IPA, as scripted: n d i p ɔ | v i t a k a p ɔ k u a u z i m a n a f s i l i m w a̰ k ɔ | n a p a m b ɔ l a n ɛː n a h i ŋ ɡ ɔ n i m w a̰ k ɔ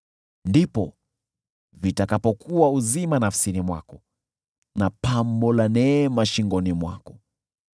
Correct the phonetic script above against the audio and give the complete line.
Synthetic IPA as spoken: n d i p ɔ | v i t a k a p ɔ k u a u z i m a n a f s i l i m w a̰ k ɔ | n a p a m b ɔ l a n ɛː m a ʃ i ŋ ɡ ɔ n i m w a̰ k ɔ